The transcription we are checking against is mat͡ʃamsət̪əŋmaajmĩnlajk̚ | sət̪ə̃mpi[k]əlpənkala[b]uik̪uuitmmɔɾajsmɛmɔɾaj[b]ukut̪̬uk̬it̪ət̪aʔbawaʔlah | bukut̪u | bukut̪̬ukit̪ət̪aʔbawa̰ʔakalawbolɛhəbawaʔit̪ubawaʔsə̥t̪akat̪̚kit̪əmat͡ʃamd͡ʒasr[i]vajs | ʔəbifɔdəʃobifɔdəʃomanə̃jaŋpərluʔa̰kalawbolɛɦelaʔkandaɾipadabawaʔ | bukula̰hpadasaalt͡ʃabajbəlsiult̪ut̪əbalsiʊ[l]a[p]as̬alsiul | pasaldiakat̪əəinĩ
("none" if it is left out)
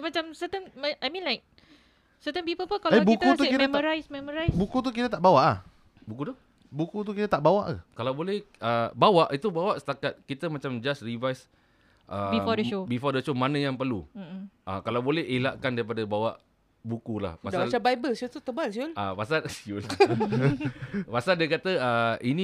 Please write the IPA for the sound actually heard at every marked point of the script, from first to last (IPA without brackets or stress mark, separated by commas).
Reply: p, b, b, i, l, p